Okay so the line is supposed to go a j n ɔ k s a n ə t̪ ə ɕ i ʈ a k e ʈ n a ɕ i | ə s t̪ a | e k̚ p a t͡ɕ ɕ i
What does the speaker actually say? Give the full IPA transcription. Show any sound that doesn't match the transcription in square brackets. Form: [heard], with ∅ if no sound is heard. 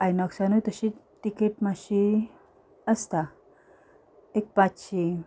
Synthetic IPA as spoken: a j n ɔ k s a n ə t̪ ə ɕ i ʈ [i] k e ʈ [m] a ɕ i | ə s t̪ a | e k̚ p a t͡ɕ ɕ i